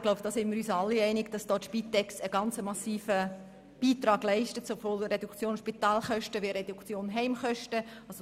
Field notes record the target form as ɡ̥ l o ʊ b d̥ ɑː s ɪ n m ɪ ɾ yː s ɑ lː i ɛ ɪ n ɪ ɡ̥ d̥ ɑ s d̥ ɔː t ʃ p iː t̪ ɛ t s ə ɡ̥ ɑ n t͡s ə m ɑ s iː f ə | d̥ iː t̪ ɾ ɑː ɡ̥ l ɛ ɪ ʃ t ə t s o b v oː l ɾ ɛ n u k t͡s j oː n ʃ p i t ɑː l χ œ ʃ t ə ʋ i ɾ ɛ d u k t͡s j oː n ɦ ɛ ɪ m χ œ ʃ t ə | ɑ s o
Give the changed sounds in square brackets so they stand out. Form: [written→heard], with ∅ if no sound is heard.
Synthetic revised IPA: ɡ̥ l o ʊ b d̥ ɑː s ɪ n m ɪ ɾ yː s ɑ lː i ɛ ɪ n ɪ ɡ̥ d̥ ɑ s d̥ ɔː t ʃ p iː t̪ ɛ [t→k] s ə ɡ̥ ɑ n t͡s ə m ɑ s iː f ə | [d̥→b̥] iː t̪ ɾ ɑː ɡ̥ l ɛ ɪ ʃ t ə t s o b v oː l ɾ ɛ [n→d] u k t͡s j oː n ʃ p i t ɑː l χ œ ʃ t ə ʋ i ɾ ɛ d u k t͡s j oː n ɦ ɛ ɪ m χ œ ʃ t ə | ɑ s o

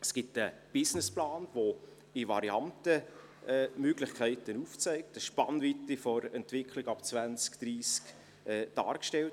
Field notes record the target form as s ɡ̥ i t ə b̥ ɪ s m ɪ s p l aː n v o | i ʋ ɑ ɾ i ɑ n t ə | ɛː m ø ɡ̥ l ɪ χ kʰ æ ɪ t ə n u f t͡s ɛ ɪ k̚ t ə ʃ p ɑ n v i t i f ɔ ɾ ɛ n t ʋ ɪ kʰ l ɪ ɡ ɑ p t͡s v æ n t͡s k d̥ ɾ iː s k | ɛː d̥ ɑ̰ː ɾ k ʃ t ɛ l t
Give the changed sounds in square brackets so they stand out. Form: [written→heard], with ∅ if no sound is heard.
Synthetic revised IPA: s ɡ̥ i t ə b̥ ɪ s [m→n] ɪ s p l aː n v o | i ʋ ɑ ɾ i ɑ n t ə | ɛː m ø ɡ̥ l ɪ χ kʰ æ ɪ t ə n u f t͡s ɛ ɪ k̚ t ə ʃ p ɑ n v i t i f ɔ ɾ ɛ n t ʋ ɪ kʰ l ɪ ɡ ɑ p t͡s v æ n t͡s k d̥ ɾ iː s k | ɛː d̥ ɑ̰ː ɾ k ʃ t ɛ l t

